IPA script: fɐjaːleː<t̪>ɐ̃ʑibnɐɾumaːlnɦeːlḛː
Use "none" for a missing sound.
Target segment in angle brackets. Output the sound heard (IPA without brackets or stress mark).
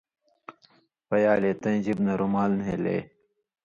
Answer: t̪